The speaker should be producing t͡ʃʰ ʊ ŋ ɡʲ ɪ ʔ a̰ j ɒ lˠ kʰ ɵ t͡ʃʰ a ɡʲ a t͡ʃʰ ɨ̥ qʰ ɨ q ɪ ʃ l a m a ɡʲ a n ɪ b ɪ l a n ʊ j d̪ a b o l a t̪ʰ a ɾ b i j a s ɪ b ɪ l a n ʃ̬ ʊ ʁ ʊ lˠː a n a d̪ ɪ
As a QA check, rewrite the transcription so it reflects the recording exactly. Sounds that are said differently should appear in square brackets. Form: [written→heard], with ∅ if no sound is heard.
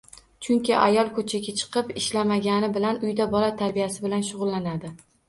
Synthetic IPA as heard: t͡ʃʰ ʊ ŋ [ɡʲ→kʲ] ɪ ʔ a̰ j ɒ lˠ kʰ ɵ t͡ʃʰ a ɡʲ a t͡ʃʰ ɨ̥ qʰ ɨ [q→p] ɪ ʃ l a m a ɡʲ a n ɪ b ɪ l a n ʊ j d̪ a b [o→ɒ] l a t̪ʰ a ɾ b i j a s ɪ b ɪ l a n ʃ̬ ʊ ʁ ʊ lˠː a n a d̪ ɪ